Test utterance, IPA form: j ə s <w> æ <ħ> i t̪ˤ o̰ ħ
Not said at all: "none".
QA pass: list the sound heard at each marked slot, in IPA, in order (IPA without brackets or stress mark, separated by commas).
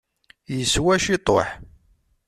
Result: w, ʃ